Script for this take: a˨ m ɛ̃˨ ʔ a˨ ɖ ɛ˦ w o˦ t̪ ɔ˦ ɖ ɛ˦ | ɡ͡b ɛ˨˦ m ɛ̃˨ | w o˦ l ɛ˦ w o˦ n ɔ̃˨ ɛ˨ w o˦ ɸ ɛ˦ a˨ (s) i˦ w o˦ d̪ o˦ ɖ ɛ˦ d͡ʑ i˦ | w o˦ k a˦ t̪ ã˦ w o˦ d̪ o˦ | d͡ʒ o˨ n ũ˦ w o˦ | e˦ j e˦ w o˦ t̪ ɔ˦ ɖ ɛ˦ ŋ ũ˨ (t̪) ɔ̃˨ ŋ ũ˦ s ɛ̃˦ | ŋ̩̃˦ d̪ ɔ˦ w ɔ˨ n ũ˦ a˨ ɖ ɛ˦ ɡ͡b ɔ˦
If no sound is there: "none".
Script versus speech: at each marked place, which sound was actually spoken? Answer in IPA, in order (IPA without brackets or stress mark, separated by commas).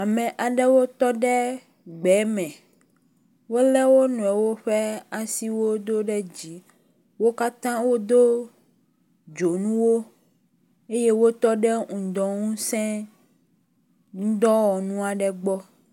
s, d̪